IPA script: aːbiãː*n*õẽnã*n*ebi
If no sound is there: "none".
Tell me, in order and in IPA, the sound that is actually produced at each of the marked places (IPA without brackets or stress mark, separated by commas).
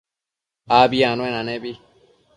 n, n